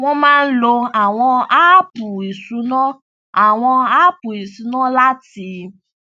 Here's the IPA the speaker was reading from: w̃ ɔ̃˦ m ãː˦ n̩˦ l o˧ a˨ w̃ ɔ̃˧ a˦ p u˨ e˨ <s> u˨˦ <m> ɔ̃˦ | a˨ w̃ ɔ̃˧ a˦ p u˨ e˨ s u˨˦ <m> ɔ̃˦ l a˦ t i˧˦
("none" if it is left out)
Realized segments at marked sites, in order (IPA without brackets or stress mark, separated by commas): s, n, n